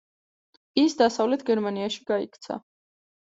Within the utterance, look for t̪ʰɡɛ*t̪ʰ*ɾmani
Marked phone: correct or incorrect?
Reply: incorrect